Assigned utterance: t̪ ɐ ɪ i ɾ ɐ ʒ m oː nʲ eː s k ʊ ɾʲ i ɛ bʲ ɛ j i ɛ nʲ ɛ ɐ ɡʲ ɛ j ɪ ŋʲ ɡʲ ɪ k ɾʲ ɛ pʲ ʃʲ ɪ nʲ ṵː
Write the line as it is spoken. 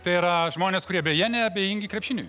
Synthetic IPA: t̪ ɐ ɪ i ɾ ɐ ʒ m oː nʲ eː s k ʊ ɾʲ i ɛ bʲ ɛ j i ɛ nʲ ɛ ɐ bʲ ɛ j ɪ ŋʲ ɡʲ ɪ k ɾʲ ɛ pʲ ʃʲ ɪ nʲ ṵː